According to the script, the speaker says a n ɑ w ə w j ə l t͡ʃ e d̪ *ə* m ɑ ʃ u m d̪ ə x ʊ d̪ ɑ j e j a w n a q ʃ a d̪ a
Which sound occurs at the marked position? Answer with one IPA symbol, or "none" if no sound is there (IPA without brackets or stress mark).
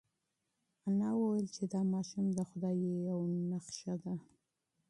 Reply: ɑ